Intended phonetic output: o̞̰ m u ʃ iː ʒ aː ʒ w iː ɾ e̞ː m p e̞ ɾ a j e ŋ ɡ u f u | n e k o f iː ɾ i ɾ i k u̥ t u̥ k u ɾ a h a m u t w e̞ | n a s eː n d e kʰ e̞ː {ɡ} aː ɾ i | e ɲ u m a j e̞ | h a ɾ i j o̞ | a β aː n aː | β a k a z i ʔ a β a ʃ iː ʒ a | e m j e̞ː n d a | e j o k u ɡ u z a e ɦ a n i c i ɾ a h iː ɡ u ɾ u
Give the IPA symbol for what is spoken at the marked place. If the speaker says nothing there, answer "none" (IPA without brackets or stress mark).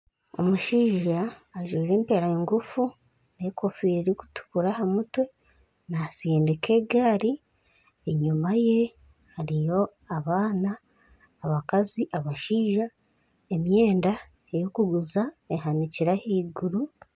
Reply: ɡ